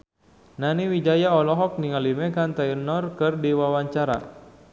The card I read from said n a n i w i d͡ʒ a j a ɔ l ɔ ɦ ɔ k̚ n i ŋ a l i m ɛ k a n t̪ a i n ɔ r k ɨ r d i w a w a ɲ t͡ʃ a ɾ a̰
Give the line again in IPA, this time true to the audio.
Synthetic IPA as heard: n a n i w i d͡ʒ a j a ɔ l ɔ ɦ ɔ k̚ n i ŋ a l i m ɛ k a n t̪ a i n ɔ r k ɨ r d i w a w a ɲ t͡ʃ a ɾ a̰